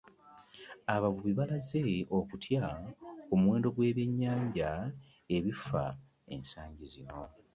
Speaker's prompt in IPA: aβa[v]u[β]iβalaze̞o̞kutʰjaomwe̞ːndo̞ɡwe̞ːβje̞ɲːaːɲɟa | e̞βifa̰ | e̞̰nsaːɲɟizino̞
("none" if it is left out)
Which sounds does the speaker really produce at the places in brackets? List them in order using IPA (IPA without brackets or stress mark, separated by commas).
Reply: v, β